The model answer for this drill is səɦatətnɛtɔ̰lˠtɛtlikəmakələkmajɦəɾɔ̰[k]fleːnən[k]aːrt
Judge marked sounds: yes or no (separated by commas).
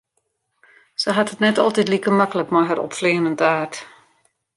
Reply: no, no